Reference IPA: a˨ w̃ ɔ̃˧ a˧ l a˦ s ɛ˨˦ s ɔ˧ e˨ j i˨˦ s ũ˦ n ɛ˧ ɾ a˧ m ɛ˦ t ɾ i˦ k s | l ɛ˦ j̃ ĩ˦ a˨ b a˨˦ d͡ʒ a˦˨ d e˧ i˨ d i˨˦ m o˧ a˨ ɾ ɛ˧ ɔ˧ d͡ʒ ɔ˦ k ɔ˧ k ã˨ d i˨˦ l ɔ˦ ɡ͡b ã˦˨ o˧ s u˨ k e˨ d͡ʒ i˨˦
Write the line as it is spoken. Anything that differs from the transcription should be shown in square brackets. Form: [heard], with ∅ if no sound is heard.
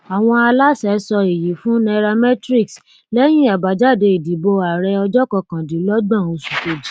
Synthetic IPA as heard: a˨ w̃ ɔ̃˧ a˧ l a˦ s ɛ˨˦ s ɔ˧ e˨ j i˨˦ [f] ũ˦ n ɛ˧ ɾ a˧ m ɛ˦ t ɾ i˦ k s | l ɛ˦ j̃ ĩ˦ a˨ b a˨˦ d͡ʒ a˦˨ d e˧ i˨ d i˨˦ [b] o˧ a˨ ɾ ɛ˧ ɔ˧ d͡ʒ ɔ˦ k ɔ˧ k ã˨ d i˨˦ l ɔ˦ ɡ͡b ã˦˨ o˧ s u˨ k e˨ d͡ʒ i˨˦